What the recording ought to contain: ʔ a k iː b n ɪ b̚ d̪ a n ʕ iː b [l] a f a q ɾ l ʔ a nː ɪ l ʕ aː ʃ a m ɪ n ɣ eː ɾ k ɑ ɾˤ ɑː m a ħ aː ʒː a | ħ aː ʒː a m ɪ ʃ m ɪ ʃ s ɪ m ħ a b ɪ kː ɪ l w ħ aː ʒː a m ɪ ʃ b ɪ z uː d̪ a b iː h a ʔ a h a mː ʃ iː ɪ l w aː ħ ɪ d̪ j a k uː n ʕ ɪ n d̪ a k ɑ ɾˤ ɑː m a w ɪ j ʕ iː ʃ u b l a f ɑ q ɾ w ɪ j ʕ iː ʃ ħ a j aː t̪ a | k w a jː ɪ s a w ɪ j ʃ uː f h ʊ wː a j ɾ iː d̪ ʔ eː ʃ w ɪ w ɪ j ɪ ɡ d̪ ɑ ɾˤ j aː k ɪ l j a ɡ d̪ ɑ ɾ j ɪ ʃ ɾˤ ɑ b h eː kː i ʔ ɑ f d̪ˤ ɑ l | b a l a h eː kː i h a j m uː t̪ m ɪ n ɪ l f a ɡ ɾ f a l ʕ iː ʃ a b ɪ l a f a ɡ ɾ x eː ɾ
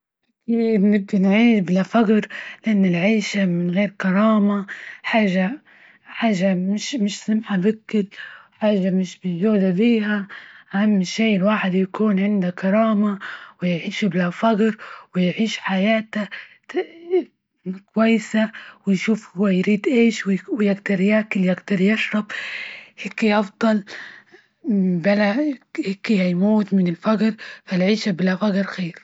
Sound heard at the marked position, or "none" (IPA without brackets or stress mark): l